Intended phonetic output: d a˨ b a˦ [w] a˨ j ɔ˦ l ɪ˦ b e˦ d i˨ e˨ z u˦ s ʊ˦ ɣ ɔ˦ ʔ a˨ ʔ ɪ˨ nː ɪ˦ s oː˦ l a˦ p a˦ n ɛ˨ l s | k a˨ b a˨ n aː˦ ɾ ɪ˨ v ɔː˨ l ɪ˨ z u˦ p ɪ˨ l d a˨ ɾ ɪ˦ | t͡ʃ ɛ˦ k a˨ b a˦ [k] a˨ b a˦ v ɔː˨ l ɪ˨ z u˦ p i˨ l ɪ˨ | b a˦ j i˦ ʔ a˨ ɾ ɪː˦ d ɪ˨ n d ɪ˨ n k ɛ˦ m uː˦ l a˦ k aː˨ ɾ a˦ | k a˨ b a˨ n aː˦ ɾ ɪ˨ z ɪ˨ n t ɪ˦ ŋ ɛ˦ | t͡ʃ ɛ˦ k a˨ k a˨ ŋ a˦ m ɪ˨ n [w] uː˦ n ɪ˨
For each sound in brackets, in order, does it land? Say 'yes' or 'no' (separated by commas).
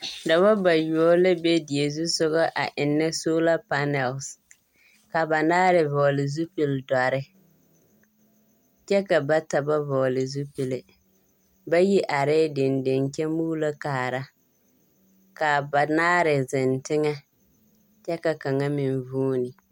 no, no, no